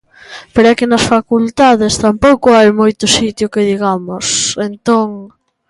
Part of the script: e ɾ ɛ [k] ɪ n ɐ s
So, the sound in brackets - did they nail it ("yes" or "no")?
yes